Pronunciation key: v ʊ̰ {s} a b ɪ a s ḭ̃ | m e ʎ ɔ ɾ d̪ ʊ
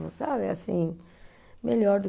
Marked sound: correct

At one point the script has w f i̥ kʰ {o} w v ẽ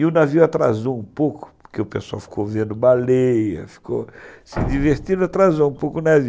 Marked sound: correct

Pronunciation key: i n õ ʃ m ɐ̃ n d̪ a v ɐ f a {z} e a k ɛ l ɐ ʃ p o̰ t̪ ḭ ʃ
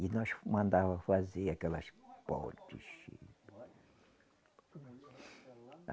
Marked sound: correct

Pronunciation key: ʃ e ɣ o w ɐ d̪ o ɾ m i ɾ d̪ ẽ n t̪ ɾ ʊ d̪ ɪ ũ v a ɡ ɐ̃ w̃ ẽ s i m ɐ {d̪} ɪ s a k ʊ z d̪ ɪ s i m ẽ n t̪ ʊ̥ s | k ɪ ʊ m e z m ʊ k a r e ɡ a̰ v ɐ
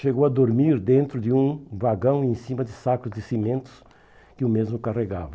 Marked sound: correct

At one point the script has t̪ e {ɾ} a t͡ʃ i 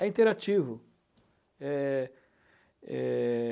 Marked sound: correct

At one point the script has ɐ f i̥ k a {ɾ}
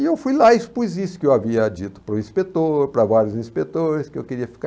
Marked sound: incorrect: none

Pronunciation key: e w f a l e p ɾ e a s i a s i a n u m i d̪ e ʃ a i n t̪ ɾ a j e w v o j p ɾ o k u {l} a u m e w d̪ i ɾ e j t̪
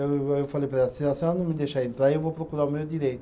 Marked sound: incorrect: ɾ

